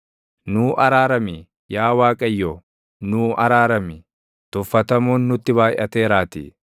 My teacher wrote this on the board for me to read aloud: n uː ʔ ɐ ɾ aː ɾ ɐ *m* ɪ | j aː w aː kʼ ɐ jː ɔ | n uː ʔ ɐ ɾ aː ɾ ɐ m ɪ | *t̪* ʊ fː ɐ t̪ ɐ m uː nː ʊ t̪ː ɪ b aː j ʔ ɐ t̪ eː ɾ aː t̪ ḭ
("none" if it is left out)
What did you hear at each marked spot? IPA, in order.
m, t̪

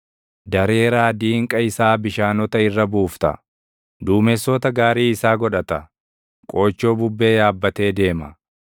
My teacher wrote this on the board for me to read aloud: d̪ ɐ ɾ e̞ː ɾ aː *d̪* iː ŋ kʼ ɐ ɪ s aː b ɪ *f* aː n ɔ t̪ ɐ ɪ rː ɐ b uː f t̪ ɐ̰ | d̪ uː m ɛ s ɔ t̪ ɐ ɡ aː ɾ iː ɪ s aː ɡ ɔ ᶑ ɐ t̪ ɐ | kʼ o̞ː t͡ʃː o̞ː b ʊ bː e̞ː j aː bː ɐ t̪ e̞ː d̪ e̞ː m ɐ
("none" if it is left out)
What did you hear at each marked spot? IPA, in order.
d̪, ʃ

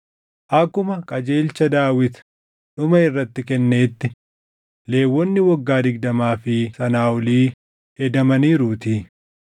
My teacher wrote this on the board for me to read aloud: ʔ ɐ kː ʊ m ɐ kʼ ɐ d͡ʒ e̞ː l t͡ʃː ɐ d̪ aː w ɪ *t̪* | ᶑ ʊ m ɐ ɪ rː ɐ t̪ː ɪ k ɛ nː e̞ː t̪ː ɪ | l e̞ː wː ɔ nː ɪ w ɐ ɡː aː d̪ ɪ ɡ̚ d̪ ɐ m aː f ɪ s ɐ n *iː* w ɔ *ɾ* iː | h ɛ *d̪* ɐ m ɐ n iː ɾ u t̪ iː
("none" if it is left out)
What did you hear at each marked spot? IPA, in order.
t̪, aː, l, d̪

